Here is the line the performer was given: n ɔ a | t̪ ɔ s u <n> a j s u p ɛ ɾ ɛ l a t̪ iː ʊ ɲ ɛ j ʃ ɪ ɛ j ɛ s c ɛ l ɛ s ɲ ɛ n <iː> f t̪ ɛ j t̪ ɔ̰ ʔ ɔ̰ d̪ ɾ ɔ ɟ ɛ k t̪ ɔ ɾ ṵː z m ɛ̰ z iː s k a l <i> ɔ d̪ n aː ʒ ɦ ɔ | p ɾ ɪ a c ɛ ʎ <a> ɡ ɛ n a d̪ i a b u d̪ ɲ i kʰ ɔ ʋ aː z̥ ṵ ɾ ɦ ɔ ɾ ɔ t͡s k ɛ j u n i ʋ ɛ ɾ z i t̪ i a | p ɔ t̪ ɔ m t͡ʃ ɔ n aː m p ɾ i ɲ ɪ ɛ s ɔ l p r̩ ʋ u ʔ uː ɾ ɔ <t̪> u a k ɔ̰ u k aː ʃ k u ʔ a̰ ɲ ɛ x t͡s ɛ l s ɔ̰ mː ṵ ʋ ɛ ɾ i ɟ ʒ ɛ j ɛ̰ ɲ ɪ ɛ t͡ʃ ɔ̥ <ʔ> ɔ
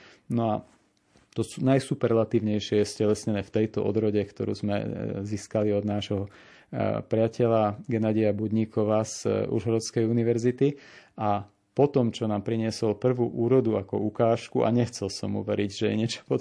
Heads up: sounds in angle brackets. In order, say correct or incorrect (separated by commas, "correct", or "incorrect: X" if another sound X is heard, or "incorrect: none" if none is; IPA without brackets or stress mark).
correct, incorrect: ɛː, correct, correct, incorrect: d̪, incorrect: p